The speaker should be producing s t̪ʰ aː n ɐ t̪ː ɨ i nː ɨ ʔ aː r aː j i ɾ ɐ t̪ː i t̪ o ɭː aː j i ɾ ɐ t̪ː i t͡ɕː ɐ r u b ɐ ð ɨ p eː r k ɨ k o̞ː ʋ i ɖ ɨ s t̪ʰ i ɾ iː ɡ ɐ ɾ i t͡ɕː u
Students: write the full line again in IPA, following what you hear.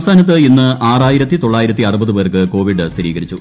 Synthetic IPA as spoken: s t̪ʰ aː n ɐ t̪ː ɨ i nː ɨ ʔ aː r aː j i ɾ ɐ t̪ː i t̪ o ɭː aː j i ɾ ɐ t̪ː i ɐ r u b ɐ ð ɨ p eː r k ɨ k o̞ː ʋ i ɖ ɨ s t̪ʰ i ɾ iː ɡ ɐ ɾ i t͡ɕː u